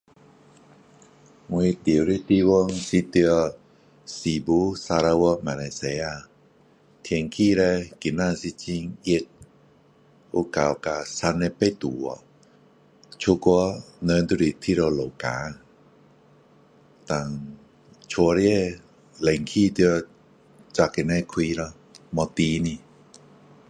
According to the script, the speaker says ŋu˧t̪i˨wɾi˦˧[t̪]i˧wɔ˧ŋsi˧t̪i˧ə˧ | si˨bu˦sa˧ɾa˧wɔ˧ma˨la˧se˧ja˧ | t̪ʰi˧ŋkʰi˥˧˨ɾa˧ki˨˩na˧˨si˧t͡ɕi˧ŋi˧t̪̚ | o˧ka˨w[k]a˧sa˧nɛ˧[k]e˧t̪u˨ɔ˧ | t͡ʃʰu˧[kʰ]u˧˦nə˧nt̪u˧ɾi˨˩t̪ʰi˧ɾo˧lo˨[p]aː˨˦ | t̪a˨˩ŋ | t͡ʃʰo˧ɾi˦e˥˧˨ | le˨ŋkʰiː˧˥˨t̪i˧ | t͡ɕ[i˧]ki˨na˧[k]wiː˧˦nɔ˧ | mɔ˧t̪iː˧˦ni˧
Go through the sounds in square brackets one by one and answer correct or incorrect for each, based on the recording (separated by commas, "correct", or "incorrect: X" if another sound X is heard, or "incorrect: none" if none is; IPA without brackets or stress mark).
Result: correct, correct, incorrect: p, incorrect: k, incorrect: k, incorrect: a˧, incorrect: kʰ